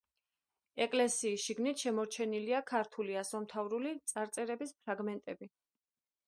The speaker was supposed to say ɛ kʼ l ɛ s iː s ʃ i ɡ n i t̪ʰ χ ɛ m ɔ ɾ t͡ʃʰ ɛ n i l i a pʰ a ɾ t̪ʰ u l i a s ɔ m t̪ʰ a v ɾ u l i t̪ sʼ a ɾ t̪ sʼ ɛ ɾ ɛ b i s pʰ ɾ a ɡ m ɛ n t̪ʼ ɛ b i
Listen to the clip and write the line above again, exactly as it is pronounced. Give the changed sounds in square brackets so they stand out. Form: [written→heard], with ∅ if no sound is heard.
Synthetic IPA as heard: ɛ kʼ l ɛ s iː s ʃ i ɡ n i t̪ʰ [χ→ʃ] ɛ m ɔ ɾ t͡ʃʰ ɛ n i l i a [pʰ→kʰ] a ɾ t̪ʰ u l i a s ɔ m t̪ʰ a v ɾ u l i t̪ sʼ a ɾ t̪ sʼ ɛ ɾ ɛ b i s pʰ ɾ a ɡ m ɛ n t̪ʼ ɛ b i